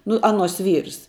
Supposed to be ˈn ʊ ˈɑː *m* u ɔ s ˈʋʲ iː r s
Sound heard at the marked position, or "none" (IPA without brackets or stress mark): n